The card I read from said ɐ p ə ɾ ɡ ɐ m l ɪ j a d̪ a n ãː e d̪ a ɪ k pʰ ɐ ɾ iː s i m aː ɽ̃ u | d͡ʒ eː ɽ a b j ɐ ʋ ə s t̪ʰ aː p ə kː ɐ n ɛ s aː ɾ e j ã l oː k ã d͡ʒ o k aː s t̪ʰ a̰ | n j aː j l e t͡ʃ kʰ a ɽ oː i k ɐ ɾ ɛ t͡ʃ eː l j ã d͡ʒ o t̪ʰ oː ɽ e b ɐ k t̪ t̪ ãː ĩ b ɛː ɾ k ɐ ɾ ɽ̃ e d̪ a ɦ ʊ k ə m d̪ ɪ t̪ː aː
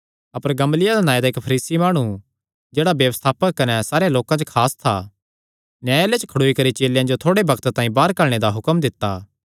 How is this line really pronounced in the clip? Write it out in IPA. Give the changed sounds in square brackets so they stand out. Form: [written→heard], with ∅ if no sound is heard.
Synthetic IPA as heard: ɐ p ə ɾ ɡ ɐ m l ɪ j a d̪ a n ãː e d̪ a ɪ k pʰ ɐ ɾ iː s i m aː ɽ̃ u | d͡ʒ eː ɽ a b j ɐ ʋ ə s t̪ʰ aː p ə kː ɐ n ɛ s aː ɾ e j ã l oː k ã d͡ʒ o [k→kʰ] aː s t̪ʰ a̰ | n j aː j l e t͡ʃ kʰ [a→ɐ] ɽ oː i k ɐ ɾ [ɛ→i] t͡ʃ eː l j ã d͡ʒ o t̪ʰ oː ɽ e b ɐ k t̪ t̪ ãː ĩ b [ɛː→aː] ɾ k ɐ ɾ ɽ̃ e d̪ a ɦ ʊ k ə m d̪ ɪ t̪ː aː